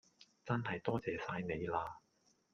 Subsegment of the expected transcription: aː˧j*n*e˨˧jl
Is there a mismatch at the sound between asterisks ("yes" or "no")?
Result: no